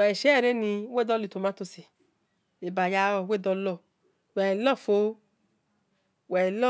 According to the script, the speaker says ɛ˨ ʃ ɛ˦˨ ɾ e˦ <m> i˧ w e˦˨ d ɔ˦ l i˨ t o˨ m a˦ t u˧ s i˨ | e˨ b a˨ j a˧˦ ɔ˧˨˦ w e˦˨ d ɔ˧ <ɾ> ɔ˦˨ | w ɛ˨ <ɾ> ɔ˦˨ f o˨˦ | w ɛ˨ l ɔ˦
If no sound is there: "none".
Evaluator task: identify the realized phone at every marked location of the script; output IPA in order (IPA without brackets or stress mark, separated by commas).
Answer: n, l, l